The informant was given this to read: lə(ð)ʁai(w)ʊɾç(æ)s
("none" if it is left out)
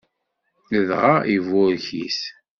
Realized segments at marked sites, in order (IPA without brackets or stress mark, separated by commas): ð, v, i